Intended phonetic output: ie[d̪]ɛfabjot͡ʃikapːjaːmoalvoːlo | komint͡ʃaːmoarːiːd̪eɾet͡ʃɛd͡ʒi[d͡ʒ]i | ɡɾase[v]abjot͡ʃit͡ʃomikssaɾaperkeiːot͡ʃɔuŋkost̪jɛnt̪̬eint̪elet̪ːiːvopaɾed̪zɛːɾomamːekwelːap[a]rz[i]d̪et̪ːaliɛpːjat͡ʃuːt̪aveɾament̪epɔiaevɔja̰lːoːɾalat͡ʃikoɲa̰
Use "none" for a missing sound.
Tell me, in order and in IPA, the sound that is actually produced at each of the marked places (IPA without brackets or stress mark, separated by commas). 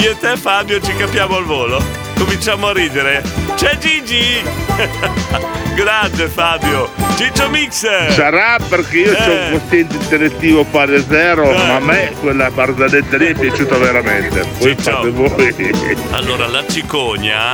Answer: t̪, d͡ʒ, f, a, a